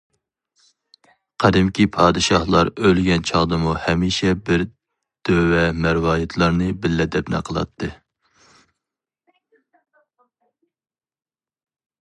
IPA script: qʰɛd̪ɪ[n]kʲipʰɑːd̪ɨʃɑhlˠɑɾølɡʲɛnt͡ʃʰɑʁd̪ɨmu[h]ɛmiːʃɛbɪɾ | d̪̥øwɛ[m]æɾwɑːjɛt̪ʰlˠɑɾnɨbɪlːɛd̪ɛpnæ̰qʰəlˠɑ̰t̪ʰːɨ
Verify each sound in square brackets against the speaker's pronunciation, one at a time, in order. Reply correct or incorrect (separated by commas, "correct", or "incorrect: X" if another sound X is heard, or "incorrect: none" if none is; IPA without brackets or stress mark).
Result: incorrect: m, correct, correct